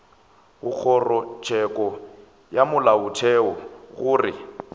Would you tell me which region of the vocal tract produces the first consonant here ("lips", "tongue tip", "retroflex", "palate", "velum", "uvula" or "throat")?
velum